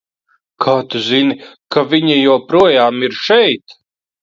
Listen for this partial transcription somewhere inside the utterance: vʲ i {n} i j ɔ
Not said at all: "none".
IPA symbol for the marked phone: ɲ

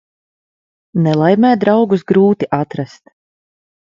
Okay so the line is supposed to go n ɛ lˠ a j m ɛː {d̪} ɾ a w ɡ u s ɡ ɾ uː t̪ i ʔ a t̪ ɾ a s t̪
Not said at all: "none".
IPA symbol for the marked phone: d̪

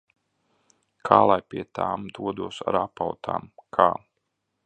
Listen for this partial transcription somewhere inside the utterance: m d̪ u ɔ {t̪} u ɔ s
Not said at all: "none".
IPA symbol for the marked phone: d̪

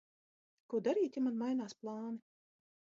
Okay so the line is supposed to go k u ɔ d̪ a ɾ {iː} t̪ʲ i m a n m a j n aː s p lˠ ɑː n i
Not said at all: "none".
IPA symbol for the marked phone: iː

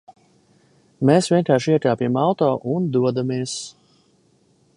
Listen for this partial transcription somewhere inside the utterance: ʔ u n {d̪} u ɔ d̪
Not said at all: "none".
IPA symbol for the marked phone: d̪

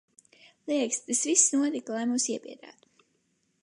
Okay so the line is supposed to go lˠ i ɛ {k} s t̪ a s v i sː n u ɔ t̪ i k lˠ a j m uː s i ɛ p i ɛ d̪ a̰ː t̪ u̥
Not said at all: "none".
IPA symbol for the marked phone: k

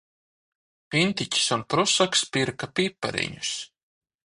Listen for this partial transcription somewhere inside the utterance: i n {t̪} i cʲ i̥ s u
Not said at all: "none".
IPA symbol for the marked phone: t̪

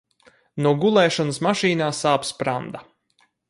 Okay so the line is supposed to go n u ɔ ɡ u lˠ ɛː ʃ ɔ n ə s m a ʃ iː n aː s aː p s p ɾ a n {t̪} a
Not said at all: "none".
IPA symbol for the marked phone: d̪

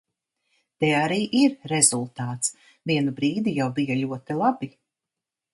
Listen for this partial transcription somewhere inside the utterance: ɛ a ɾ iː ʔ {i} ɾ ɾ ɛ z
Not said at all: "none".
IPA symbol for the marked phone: i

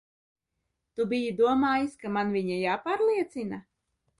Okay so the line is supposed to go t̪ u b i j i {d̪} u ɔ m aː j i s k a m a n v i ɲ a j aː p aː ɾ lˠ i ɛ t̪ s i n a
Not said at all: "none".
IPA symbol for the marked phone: d̪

